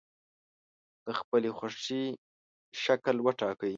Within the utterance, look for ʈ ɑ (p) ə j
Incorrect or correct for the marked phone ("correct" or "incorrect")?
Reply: incorrect